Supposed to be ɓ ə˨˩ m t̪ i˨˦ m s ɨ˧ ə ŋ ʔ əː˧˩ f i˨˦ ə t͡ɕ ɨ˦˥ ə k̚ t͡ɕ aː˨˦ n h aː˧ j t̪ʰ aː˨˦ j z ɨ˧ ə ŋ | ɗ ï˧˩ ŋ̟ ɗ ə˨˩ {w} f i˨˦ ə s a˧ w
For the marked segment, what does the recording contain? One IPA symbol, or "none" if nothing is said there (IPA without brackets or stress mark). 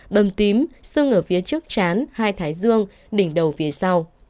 w